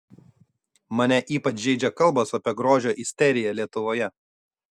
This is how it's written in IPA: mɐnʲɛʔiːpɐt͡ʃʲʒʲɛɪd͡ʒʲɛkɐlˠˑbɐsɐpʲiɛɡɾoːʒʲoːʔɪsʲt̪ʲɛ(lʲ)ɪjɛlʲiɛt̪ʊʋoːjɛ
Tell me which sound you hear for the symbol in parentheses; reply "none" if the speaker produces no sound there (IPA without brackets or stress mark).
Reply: ɾʲ